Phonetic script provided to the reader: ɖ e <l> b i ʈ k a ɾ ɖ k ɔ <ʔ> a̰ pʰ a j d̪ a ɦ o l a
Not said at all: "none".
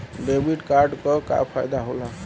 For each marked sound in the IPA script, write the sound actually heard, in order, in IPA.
none, k

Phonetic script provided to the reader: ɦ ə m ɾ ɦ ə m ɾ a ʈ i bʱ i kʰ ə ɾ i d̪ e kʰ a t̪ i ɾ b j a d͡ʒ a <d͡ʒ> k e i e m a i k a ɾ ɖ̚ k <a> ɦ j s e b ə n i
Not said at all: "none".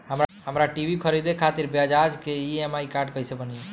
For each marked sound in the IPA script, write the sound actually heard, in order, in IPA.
d͡ʒ, ə

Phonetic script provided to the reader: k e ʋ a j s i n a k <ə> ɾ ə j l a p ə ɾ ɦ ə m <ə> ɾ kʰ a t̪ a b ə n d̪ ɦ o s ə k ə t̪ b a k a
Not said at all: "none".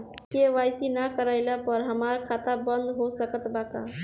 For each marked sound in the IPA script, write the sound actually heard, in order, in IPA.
ə, a

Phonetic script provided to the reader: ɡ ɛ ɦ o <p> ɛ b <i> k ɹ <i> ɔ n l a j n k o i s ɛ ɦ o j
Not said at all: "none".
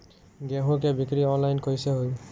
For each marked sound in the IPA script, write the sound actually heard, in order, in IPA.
k, i, i

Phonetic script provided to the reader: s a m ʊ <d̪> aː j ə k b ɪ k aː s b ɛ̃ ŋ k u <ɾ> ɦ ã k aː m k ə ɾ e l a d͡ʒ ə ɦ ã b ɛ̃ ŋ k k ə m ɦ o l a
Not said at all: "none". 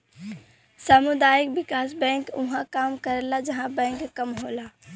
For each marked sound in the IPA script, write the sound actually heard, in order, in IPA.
d̪, none

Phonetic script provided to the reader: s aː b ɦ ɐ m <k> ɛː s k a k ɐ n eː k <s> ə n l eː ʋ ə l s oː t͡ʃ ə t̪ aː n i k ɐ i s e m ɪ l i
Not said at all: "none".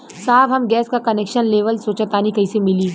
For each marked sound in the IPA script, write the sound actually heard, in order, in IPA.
ɡ, ʃ

